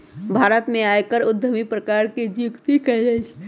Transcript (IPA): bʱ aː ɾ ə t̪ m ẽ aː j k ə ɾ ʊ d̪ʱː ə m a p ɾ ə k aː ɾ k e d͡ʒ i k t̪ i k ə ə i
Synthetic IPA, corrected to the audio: bʱ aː ɾ ə t̪ m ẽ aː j k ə ɾ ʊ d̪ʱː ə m i p ɾ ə k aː ɾ k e d͡ʒ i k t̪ i k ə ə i